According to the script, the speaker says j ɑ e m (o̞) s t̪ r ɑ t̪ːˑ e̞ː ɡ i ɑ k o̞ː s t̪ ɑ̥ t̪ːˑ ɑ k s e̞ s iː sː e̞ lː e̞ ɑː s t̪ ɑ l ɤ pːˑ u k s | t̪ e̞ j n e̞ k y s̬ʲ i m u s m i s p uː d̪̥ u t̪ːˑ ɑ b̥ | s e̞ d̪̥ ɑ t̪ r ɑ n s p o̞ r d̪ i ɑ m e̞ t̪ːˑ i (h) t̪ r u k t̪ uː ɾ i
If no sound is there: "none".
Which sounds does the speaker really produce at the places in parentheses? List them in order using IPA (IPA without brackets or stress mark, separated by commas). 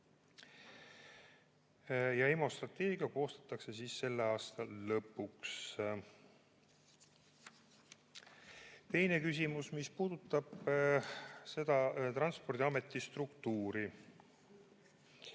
o̞, s